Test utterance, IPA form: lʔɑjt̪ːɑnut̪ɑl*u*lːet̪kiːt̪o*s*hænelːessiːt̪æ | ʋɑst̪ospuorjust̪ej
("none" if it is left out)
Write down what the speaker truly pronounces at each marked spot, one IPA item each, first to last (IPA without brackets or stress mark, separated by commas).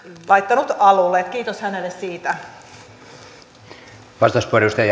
u, s